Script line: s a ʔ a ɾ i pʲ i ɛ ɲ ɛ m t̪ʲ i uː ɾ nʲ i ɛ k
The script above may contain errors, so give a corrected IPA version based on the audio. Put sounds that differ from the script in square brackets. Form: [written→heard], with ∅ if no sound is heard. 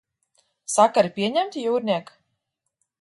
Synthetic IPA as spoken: s a [ʔ→k] a ɾ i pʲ i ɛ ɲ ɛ m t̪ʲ [i→j] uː ɾ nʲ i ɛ k